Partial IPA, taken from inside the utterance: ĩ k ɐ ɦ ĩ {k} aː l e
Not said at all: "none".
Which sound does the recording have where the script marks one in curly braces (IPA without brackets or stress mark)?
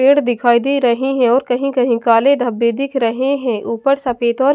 k